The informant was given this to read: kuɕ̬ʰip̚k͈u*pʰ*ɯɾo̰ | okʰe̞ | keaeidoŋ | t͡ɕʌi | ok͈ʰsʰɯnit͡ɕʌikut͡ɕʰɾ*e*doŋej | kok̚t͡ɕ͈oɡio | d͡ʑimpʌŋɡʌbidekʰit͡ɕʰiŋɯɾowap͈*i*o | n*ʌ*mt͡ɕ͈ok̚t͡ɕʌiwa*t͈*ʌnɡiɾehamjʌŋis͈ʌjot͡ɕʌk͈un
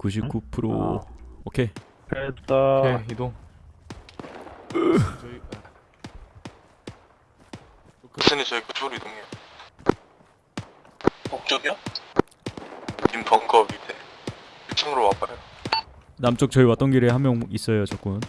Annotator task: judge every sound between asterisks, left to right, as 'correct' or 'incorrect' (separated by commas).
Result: correct, incorrect, incorrect, incorrect, correct